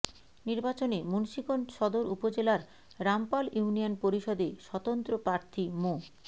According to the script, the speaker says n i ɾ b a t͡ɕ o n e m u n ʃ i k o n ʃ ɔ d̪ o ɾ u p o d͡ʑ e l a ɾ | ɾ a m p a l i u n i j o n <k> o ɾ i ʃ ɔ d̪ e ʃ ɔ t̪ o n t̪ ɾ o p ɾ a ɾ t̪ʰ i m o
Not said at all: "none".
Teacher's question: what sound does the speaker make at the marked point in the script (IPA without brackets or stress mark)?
p